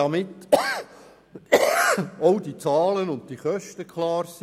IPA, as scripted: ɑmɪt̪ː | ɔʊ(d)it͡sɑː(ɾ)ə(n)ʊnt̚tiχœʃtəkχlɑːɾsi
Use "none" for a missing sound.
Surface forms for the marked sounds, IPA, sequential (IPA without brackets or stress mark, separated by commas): d, l, n